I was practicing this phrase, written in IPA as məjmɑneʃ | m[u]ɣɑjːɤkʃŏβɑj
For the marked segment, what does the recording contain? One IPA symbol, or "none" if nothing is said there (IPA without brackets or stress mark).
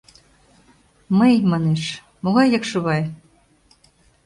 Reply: o